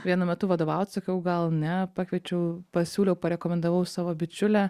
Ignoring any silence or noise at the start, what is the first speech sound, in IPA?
ʋʲ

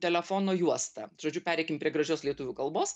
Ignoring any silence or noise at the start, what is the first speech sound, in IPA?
t̪ʲ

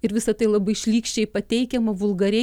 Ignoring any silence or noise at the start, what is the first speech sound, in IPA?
ɪ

